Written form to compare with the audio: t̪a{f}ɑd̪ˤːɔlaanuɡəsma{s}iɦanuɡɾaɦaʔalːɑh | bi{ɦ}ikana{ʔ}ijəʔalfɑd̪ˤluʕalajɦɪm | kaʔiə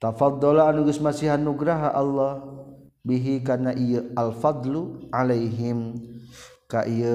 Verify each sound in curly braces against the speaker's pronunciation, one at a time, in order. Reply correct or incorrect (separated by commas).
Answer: correct, correct, correct, correct